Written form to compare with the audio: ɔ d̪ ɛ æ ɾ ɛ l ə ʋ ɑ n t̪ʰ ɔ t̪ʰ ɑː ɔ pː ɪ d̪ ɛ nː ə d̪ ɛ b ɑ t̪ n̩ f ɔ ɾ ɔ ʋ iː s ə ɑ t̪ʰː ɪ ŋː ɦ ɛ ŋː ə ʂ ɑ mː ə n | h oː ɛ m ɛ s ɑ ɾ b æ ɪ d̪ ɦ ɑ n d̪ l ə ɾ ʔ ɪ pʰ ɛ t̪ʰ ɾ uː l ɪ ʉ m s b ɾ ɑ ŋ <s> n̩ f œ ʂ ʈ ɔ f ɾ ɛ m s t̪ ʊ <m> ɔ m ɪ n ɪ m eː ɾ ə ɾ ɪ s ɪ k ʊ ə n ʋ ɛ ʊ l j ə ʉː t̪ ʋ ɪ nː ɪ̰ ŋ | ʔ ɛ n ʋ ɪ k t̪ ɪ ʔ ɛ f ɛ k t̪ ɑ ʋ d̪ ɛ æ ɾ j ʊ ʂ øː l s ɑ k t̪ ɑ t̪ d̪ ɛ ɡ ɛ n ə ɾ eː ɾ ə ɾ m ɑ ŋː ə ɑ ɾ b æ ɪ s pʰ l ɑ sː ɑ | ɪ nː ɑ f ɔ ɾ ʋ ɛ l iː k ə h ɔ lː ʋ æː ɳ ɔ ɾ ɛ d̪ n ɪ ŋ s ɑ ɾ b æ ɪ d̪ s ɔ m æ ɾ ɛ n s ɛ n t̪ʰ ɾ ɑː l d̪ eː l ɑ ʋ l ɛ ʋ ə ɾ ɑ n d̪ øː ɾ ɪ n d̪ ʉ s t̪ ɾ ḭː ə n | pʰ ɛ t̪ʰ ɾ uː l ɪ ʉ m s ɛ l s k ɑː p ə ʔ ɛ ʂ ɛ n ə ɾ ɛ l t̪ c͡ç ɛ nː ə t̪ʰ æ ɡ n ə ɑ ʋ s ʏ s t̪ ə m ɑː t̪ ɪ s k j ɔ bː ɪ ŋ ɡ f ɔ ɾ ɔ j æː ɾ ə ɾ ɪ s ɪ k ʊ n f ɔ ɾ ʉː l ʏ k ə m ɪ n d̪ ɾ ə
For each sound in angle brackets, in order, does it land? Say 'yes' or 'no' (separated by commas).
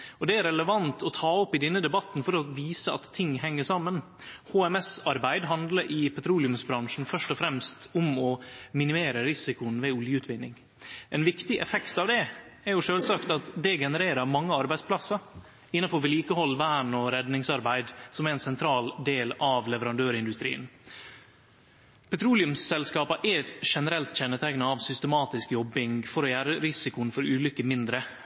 no, yes